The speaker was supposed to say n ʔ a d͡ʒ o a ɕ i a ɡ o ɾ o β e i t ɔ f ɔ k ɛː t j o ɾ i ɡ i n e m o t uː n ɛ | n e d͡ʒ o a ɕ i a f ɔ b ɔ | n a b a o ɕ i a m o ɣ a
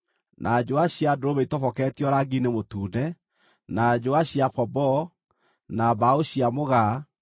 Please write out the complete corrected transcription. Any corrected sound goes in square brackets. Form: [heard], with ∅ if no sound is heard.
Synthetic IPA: n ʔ a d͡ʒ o a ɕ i a [d] o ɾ o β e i t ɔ f ɔ k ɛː t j [ɔ] ɾ [a] ɡ i n e m o t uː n ɛ | n [a] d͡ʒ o a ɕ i a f ɔ b ɔ | n a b a o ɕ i a m o ɣ a